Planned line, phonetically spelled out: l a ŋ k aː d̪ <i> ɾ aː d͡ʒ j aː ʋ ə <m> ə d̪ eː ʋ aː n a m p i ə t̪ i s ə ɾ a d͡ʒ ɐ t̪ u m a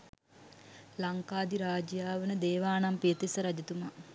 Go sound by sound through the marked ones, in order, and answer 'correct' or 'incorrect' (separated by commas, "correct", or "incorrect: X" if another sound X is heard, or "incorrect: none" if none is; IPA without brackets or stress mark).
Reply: correct, incorrect: n